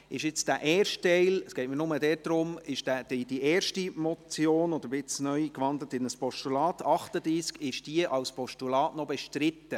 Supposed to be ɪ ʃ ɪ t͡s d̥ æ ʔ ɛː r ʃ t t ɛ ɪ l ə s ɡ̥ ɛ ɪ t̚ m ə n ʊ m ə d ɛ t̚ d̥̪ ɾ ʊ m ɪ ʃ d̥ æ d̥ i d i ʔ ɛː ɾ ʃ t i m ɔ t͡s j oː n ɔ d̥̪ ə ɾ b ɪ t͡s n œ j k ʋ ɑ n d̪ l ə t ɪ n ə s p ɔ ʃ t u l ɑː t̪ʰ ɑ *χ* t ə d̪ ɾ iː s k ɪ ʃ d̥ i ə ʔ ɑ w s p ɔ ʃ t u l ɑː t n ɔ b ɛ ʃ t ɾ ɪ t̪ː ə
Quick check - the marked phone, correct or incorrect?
correct